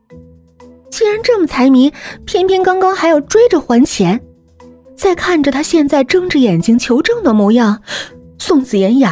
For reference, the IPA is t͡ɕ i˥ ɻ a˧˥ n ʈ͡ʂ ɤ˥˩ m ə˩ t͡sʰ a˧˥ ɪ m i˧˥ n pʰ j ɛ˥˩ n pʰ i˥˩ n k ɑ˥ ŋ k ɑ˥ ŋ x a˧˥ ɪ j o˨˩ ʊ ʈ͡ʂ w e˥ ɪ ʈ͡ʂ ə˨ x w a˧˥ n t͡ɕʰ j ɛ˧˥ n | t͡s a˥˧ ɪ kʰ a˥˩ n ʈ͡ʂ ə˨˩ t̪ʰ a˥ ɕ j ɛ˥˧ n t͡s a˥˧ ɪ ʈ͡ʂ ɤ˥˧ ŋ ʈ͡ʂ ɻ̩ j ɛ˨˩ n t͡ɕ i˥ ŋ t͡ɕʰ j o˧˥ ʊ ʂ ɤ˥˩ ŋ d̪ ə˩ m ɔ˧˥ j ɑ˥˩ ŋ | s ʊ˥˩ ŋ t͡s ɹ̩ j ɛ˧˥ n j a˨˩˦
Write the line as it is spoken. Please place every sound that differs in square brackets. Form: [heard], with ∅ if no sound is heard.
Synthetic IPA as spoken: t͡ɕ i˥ ɻ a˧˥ n ʈ͡ʂ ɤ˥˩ m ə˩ t͡sʰ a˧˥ ɪ m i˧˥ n pʰ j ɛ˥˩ n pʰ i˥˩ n k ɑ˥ ŋ k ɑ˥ ŋ x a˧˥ ɪ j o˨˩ ʊ ʈ͡ʂ w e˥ ɪ ʈ͡ʂ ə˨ x w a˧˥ n t͡ɕʰ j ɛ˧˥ n | t͡s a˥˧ ɪ kʰ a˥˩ n ʈ͡ʂ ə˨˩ t̪ʰ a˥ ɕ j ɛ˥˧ n t͡s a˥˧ ɪ ʈ͡ʂ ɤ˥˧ ŋ ʈ͡ʂ ɻ̩ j ɛ˨˩ n t͡ɕ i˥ ŋ t͡ɕʰ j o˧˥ ʊ [ʈ͡ʂ] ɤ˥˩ ŋ d̪ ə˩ m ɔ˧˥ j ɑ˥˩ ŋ | s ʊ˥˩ ŋ t͡s ɹ̩ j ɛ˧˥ n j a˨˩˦